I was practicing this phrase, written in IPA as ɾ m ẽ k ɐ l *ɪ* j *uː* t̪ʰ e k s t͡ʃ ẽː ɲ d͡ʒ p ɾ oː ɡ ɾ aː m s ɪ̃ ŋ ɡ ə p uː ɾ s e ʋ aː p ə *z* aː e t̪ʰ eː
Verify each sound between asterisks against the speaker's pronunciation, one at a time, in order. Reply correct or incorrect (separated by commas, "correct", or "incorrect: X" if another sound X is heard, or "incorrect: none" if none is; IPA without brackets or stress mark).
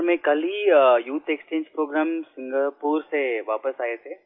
incorrect: i, correct, incorrect: s